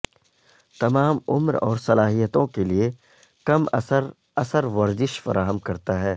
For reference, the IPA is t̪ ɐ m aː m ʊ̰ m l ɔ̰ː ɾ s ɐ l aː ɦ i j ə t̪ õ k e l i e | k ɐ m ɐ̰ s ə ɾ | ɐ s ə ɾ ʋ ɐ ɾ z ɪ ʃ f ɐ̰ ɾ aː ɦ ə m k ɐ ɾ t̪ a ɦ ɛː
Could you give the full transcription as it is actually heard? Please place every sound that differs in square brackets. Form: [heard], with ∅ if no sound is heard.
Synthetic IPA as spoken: t̪ ɐ m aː m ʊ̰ m [ɾ] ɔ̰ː ɾ s ɐ l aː ɦ i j ə t̪ õ k e l i e | k ɐ m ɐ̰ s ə ɾ | ɐ s ə ɾ ʋ ɐ ɾ z ɪ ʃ f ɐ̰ ɾ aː ɦ ə m k ɐ ɾ t̪ a ɦ ɛː